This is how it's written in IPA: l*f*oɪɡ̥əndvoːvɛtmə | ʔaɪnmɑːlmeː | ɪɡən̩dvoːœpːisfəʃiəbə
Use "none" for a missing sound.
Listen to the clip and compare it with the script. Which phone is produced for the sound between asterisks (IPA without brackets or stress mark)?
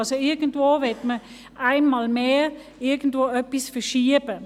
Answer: s